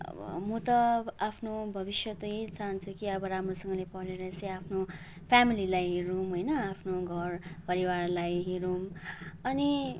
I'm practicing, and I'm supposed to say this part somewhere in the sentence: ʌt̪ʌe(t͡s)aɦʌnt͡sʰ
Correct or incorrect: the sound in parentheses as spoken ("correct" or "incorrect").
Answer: correct